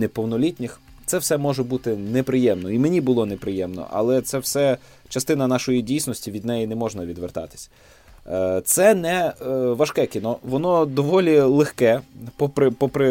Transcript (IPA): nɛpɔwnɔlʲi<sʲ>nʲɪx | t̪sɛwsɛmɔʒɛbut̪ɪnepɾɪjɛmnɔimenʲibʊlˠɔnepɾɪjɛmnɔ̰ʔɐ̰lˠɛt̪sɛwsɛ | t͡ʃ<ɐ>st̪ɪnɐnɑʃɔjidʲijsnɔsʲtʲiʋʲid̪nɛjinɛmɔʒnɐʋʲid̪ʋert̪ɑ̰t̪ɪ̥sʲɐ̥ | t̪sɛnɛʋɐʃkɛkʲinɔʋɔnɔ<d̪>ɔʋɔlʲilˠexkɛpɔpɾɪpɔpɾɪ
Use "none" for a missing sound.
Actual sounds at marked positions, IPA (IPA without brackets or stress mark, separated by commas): tʲ, ɐ, d̪